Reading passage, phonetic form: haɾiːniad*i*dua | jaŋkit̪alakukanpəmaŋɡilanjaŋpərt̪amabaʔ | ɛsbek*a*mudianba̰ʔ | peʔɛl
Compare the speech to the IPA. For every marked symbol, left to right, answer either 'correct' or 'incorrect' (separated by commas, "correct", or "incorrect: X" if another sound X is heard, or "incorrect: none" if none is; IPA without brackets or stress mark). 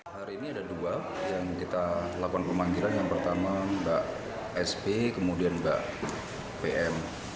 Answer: incorrect: a, incorrect: ə